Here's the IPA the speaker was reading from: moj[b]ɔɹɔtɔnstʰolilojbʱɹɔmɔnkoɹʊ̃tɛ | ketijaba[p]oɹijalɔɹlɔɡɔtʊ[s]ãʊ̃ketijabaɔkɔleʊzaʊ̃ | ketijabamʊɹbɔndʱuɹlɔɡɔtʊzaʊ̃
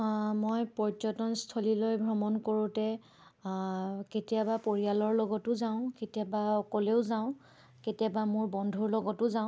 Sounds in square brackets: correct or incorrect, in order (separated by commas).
incorrect, correct, incorrect